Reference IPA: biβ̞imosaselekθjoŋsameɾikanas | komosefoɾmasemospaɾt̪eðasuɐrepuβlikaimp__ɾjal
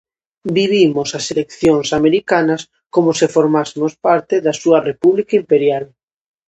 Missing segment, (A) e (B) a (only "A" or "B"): A